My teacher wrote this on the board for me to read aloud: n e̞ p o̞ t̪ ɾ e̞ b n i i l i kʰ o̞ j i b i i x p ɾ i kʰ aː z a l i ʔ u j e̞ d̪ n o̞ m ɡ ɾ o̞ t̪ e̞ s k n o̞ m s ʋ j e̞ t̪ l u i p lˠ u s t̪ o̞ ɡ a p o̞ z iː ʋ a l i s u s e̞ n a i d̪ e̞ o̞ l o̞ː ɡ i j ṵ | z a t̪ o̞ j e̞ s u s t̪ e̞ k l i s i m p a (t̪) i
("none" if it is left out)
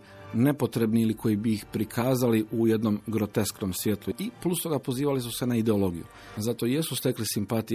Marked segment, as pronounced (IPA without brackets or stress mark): t̪